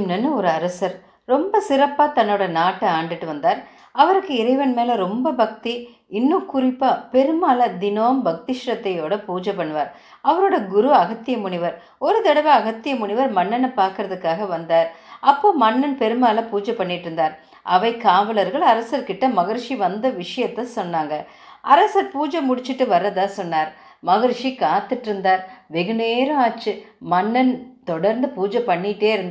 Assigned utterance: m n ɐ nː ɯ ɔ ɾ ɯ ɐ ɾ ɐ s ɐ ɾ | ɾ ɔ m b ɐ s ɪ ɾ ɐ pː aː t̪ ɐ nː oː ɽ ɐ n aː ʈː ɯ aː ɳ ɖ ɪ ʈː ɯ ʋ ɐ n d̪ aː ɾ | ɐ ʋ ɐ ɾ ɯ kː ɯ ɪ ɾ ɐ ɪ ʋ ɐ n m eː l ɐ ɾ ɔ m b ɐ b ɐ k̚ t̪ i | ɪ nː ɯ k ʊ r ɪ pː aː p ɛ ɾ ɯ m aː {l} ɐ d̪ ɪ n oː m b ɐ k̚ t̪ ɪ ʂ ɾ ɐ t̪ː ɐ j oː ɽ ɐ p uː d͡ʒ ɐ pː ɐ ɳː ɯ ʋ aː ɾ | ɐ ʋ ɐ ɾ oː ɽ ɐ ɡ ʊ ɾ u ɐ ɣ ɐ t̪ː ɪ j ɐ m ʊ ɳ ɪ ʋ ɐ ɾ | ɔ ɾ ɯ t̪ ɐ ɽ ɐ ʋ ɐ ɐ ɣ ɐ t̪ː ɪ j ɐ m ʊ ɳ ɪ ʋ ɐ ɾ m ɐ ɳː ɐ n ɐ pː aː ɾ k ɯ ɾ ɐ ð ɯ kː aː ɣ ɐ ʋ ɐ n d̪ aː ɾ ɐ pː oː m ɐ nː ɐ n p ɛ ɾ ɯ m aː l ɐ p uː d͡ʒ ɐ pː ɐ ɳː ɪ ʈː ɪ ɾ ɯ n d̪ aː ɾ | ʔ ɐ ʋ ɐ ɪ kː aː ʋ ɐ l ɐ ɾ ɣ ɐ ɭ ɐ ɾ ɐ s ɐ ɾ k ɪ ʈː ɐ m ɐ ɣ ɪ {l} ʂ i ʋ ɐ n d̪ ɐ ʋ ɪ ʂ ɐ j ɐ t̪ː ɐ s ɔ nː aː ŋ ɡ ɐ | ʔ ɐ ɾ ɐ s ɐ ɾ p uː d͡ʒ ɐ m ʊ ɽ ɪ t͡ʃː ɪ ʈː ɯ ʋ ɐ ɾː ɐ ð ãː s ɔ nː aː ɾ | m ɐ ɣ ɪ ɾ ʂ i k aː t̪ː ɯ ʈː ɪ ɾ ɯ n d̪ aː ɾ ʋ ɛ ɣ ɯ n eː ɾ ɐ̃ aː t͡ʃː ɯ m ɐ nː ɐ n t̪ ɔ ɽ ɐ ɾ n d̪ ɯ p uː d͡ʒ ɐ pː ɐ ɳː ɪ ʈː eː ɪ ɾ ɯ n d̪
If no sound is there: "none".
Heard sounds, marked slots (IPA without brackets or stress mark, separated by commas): l, ɾ